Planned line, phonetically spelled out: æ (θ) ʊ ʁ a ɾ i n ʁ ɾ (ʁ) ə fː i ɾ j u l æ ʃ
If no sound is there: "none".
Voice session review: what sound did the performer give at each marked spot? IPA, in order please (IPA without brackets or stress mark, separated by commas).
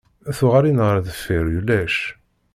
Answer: θ, ð